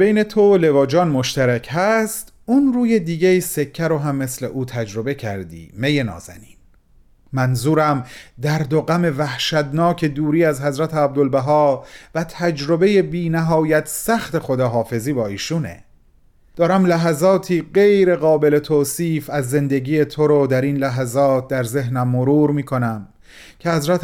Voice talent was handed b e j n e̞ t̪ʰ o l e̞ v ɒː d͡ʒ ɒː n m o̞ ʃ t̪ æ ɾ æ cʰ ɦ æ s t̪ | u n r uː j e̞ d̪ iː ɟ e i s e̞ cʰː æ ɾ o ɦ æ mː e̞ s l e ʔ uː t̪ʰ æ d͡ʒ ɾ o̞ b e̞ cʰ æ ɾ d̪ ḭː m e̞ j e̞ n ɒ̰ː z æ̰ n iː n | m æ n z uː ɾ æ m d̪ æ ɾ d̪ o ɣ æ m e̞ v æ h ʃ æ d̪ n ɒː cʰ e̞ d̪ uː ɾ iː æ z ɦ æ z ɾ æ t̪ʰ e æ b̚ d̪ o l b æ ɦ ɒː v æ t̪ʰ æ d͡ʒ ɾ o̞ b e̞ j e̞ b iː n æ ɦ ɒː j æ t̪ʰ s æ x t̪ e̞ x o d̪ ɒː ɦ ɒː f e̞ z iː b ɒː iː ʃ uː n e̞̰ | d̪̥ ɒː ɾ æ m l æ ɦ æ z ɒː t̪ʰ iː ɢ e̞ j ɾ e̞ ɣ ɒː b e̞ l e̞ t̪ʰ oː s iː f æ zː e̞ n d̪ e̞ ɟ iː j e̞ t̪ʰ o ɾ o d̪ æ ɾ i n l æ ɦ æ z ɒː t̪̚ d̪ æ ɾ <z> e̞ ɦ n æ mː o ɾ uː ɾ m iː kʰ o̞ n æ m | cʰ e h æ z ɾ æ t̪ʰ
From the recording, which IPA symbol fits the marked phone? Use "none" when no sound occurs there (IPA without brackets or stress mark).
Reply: z